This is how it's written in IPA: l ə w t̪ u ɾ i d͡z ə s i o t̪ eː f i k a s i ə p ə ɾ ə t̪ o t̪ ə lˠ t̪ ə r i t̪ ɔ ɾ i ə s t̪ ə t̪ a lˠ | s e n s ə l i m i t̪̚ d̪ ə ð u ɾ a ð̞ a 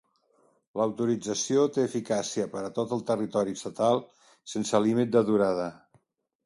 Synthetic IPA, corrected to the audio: l ə w t̪ u ɾ i d͡z ə s i o t̪ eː f i k a s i ə p ə ɾ ə t̪ o t̪ ə lˠ t̪ ə r i t̪ ɔ ɾ i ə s t̪ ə t̪ a lˠ | s e n s ə l i m i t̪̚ d̪ ə ð u ɾ a ð̞ ə